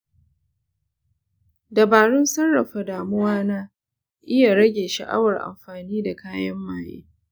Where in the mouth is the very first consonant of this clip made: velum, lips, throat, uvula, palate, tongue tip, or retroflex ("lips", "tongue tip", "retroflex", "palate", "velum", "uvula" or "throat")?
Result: tongue tip